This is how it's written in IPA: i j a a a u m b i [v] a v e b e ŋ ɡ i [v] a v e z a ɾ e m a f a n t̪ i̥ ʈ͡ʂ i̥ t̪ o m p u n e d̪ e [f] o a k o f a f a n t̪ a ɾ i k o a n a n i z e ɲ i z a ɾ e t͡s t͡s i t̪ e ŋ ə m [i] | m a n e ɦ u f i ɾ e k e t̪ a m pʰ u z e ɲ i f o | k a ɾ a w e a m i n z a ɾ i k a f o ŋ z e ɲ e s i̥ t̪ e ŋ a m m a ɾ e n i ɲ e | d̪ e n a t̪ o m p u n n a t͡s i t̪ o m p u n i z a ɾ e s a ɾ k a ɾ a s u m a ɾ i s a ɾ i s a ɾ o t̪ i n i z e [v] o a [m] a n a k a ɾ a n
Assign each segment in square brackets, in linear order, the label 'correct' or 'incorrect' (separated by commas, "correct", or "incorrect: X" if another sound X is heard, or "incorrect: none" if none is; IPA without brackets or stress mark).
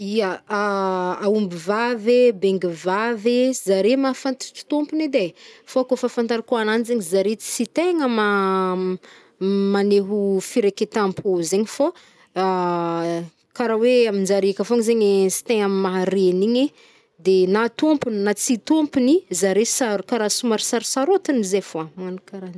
correct, correct, correct, incorrect: a, incorrect: f, correct